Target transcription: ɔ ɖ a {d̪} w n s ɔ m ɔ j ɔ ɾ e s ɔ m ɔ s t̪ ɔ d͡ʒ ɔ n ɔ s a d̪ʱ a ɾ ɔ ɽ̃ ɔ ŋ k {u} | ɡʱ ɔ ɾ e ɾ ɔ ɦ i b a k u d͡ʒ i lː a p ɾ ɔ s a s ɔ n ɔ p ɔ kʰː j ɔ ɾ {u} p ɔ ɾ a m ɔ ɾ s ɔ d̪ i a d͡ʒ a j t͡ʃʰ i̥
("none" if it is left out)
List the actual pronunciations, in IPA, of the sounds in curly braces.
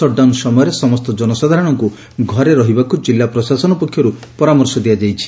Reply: none, u, u

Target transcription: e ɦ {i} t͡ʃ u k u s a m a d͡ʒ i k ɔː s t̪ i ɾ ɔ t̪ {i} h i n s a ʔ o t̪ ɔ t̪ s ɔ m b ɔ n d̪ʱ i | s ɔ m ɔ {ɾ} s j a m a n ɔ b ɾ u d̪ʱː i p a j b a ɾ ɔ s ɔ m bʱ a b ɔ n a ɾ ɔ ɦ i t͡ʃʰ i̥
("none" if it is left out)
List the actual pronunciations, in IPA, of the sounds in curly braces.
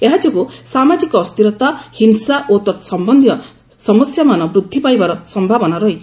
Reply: a, a, none

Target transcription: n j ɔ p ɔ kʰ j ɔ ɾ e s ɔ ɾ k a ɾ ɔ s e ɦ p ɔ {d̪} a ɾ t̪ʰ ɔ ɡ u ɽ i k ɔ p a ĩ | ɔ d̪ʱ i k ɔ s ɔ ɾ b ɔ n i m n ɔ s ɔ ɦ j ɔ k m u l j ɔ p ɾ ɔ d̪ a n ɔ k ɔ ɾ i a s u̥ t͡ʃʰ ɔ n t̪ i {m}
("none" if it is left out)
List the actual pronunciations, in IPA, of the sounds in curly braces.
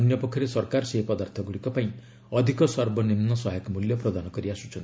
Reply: d̪, none

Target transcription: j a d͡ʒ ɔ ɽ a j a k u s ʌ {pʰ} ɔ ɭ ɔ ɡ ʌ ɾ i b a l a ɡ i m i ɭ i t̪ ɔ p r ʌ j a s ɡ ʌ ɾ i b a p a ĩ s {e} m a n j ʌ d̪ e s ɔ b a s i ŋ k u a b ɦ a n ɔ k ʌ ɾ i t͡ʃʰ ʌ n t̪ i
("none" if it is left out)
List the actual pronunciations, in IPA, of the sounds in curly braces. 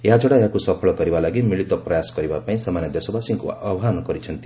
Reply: pʰ, a

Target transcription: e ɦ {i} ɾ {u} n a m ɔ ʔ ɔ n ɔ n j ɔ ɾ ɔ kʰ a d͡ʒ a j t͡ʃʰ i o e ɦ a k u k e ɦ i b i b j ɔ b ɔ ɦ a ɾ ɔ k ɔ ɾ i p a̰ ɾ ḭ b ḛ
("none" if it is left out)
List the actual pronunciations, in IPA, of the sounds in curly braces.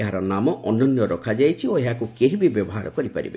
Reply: a, ɔ

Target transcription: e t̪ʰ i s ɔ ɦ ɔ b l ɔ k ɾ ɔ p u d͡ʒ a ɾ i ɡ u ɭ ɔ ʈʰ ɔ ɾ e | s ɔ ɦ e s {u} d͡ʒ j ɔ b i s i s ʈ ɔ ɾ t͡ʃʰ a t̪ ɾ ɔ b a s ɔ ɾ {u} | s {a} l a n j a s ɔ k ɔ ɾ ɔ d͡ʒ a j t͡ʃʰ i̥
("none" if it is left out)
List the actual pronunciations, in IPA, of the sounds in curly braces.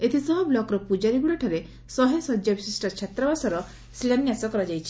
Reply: ɔ, ɔ, i

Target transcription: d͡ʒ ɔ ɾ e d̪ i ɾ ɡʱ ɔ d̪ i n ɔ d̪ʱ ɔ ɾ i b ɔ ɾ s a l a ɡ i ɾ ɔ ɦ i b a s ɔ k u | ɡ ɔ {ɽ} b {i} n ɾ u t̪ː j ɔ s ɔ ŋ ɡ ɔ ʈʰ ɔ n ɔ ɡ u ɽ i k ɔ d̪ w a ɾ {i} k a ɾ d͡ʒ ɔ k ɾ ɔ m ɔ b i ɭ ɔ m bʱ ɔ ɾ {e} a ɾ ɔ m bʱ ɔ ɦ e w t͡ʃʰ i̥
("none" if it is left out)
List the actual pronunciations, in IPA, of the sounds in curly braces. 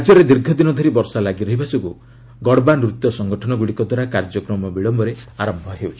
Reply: ɽ, a, a, e

